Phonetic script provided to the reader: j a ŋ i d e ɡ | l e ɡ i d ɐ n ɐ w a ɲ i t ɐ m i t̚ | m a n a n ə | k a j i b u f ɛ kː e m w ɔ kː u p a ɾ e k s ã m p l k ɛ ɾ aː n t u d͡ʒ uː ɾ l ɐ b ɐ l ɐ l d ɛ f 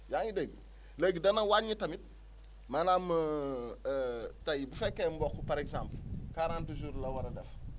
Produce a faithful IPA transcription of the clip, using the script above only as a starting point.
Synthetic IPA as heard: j a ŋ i d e ɡ | l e ɡ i d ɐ n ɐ w a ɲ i t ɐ m i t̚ | m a n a m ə | t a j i b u f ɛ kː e m b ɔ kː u p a ɾ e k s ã m p l k a ɾ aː n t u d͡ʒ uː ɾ l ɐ w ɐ ɾ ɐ d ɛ f